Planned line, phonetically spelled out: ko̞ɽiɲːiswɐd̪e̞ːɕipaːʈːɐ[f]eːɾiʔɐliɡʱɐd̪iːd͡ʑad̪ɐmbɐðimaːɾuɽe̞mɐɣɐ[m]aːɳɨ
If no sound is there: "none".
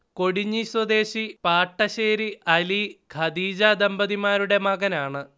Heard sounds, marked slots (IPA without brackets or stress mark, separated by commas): ɕ, n